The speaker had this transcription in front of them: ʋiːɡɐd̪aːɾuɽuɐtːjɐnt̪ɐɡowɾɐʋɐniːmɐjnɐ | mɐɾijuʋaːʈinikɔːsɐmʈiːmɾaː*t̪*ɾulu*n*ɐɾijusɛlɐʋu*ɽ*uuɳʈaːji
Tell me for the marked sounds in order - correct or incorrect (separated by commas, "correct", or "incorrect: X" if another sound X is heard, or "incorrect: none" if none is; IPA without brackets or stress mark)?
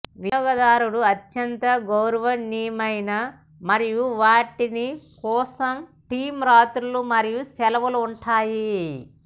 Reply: correct, incorrect: m, incorrect: l